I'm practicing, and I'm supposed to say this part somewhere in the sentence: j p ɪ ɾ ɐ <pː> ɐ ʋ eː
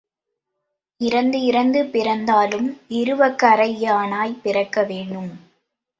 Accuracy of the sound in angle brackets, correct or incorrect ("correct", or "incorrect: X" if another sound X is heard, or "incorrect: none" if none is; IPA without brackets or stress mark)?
incorrect: kː